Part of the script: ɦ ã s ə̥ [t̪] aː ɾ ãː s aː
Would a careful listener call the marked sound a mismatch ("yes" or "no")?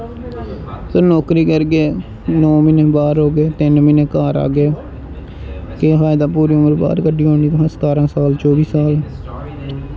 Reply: no